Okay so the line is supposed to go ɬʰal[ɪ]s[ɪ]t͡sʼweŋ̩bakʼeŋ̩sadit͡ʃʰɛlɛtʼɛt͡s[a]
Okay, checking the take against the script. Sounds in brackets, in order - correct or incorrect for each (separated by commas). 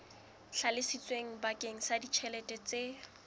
correct, incorrect, incorrect